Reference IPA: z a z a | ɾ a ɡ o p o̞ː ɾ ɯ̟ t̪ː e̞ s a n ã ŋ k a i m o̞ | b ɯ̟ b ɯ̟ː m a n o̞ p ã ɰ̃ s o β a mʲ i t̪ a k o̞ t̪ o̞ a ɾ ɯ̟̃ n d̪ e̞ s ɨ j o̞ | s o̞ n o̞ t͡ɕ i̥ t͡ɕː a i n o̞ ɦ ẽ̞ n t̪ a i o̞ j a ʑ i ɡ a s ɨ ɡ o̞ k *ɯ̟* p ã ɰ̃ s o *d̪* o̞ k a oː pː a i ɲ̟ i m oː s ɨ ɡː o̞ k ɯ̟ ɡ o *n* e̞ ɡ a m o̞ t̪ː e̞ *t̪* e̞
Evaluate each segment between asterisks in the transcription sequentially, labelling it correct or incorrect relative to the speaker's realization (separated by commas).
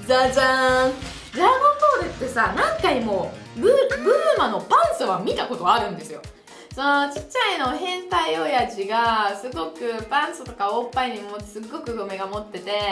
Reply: correct, incorrect, incorrect, correct